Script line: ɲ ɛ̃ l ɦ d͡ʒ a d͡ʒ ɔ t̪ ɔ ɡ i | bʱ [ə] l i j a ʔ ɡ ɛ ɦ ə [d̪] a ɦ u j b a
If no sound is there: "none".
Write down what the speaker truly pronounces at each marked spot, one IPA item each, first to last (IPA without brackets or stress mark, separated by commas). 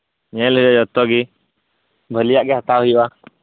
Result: ə, t̪